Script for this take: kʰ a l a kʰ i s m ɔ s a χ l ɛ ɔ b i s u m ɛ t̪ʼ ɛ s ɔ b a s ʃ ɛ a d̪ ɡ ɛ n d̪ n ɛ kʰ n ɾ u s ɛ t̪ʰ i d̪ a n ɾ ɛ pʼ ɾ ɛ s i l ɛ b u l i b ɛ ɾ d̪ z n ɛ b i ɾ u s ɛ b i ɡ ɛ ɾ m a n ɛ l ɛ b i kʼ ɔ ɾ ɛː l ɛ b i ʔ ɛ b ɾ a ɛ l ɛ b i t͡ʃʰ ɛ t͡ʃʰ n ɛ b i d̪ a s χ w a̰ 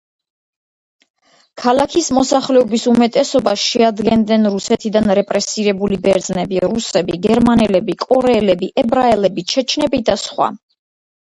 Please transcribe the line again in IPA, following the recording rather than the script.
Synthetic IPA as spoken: kʰ a l a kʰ i s m ɔ s a χ l ɛ ɔ b i s u m ɛ t̪ʼ ɛ s ɔ b a s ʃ ɛ a d̪ ɡ ɛ n d̪ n ɛ n ɾ u s ɛ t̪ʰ i d̪ a n ɾ ɛ pʼ ɾ ɛ s i ɾ ɛ b u l i b ɛ ɾ d̪ z n ɛ b i ɾ u s ɛ b i ɡ ɛ ɾ m a n ɛ l ɛ b i kʼ ɔ ɾ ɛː l ɛ b i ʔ ɛ b ɾ a ɛ l ɛ b i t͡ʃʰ ɛ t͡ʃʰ n ɛ b i d̪ a s χ w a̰